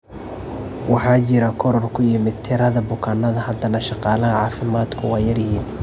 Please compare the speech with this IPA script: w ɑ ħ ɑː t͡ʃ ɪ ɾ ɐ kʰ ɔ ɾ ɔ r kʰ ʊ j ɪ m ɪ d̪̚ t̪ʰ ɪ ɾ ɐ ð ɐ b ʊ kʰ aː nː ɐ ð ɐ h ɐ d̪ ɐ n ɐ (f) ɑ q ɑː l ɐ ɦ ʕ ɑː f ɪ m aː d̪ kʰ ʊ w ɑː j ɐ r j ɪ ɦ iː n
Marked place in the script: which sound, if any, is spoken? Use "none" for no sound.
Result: ʃ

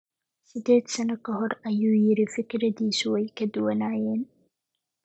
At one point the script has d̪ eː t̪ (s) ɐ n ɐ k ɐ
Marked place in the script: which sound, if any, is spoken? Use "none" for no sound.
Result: s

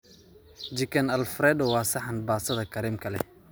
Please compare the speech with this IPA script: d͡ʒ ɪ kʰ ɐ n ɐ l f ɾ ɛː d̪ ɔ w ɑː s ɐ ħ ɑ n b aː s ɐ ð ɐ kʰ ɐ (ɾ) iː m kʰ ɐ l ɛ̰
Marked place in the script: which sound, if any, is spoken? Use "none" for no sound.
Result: ɾ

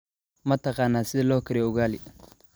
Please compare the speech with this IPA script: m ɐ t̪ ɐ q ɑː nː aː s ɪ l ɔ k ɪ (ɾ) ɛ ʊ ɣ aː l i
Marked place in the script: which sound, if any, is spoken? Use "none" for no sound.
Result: ɾ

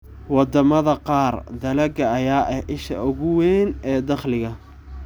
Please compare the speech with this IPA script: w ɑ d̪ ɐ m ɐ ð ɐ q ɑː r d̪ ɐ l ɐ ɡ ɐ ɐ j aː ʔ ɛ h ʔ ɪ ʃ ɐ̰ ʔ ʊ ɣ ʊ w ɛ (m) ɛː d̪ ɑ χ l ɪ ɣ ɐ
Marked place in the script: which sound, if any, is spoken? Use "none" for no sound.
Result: n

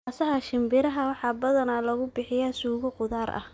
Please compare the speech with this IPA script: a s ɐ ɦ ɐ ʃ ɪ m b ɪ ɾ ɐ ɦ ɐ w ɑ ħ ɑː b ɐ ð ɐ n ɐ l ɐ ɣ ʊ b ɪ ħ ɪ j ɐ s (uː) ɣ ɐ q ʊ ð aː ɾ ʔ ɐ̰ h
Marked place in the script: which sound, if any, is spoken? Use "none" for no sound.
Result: uː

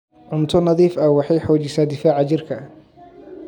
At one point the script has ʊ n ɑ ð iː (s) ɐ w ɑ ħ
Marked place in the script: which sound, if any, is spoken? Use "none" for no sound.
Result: f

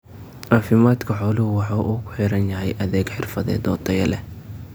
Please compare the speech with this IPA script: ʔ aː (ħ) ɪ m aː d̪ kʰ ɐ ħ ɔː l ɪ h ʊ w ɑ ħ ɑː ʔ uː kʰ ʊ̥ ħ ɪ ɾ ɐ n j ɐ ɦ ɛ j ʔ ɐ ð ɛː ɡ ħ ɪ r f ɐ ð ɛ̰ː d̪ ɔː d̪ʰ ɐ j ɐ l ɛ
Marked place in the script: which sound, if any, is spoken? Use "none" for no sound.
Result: f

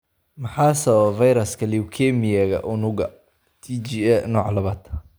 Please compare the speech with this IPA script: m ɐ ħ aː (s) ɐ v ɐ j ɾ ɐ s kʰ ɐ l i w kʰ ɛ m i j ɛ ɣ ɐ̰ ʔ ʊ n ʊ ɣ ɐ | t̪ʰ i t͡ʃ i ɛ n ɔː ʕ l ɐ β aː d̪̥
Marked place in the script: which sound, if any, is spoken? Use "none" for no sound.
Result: s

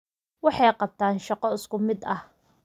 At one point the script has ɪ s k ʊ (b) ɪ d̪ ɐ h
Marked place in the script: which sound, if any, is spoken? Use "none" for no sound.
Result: m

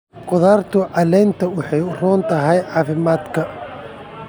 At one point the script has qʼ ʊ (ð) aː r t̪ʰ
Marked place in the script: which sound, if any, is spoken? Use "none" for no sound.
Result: ð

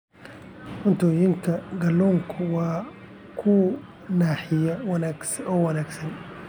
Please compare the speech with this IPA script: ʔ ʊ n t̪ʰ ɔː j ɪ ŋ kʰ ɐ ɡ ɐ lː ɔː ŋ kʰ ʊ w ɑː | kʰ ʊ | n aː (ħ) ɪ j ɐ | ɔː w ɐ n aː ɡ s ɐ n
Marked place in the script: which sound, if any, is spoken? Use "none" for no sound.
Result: ħ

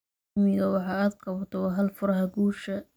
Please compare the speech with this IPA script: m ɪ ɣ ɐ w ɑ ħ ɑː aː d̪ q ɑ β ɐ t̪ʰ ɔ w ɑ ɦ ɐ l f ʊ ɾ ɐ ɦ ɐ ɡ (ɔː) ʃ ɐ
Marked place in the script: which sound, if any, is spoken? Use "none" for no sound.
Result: uː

